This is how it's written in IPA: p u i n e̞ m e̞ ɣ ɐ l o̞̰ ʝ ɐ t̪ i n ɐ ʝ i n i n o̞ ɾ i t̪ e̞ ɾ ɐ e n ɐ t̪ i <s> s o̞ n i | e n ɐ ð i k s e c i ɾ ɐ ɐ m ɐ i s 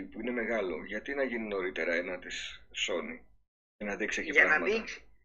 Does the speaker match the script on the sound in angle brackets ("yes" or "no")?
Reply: yes